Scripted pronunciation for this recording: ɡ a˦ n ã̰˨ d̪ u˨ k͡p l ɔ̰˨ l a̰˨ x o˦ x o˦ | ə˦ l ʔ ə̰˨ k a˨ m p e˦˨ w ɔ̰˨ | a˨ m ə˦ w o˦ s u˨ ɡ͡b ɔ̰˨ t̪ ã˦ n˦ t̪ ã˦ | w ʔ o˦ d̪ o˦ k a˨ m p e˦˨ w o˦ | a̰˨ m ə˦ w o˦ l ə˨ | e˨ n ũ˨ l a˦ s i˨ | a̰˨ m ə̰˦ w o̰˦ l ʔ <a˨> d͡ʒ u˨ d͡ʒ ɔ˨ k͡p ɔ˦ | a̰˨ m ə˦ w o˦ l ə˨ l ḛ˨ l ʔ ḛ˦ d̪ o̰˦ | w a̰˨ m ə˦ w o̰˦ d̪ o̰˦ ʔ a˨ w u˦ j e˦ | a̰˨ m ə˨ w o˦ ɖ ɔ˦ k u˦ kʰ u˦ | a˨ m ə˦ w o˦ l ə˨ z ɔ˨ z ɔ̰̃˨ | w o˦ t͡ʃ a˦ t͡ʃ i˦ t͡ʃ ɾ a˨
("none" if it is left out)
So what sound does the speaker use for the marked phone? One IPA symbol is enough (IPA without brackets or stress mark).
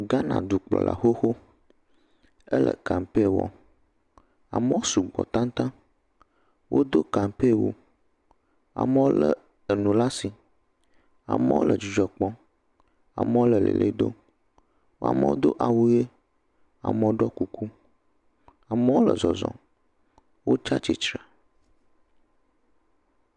ə˨